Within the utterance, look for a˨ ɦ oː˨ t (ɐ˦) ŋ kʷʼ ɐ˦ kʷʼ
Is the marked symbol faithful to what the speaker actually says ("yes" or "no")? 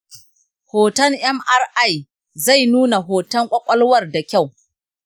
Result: yes